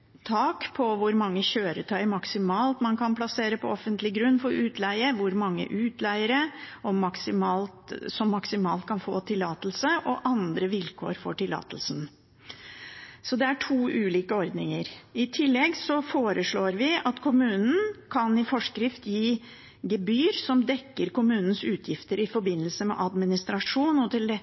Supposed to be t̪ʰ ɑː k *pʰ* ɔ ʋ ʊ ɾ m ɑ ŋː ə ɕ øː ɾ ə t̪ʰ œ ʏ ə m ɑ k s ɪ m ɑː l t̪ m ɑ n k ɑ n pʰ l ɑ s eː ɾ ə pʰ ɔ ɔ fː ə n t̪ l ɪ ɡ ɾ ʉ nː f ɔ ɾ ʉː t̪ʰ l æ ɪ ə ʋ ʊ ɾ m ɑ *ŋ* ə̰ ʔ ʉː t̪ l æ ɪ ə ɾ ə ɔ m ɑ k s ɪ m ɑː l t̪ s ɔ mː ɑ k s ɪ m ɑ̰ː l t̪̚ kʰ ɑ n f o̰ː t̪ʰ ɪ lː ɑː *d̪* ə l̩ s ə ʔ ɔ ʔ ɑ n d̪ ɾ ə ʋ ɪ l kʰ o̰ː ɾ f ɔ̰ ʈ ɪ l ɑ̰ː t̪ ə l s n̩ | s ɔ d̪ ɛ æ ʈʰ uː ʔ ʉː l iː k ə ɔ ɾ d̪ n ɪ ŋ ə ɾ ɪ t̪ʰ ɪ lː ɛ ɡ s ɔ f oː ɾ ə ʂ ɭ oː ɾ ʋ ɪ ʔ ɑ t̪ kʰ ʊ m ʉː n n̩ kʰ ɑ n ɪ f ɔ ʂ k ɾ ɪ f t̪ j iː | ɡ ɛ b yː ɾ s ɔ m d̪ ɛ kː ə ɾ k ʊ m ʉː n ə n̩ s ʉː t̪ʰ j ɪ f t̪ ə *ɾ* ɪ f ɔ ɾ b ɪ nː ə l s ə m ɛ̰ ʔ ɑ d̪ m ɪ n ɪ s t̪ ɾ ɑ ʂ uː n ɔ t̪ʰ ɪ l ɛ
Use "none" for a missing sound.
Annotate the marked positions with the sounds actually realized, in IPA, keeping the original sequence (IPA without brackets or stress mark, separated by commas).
pʰ, ŋː, t̪, ɾ